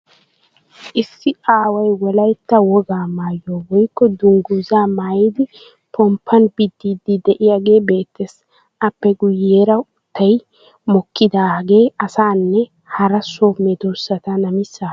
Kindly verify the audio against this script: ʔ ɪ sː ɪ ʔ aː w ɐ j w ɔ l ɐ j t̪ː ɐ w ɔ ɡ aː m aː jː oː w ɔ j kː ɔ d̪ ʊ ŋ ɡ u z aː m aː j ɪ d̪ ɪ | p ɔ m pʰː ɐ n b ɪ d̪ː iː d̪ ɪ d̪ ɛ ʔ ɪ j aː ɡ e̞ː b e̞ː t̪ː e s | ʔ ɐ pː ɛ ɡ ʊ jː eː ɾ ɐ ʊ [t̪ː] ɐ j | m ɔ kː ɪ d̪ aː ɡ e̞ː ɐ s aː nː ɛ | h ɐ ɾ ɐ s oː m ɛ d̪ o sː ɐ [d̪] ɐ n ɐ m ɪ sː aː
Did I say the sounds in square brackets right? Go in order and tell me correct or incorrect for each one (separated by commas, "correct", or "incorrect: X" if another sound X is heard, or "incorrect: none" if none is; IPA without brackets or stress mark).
correct, incorrect: t̪